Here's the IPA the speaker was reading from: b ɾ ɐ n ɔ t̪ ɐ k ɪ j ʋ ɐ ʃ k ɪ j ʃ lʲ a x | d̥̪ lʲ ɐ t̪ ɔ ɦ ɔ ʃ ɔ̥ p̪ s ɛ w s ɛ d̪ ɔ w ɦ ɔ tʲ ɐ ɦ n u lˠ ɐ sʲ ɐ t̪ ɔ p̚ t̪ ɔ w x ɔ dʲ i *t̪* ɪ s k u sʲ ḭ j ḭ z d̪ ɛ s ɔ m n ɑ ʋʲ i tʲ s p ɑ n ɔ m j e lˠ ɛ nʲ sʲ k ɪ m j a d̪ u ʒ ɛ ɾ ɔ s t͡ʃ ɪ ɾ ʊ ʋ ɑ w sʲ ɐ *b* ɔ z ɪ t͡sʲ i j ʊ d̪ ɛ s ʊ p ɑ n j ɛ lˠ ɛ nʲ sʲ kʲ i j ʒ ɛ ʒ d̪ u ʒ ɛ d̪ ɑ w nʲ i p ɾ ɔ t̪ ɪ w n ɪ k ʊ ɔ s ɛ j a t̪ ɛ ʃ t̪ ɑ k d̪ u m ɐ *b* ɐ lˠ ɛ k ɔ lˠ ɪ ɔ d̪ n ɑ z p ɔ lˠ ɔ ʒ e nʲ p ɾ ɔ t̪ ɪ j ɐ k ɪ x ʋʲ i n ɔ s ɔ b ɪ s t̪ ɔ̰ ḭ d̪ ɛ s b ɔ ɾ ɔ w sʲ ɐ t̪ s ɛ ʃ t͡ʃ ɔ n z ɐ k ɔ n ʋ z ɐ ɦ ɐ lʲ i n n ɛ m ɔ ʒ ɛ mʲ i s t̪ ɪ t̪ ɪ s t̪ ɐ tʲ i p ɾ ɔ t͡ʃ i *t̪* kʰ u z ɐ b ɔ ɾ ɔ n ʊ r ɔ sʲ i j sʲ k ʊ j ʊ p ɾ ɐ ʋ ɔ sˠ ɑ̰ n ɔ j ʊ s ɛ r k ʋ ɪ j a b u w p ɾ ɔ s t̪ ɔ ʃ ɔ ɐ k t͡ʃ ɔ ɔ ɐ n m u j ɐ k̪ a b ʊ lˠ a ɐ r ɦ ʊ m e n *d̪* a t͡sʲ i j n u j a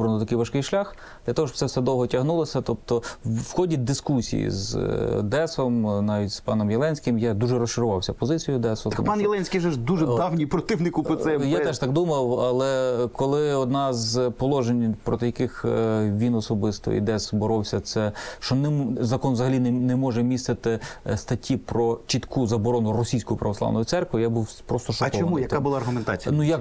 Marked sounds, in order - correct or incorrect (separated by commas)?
incorrect, incorrect, incorrect, correct, incorrect